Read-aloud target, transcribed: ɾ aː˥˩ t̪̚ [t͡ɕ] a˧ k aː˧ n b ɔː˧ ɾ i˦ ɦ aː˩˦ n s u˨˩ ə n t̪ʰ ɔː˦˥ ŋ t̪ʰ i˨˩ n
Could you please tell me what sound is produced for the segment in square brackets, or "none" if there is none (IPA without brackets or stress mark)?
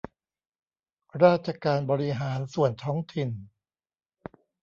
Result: t͡ɕʰ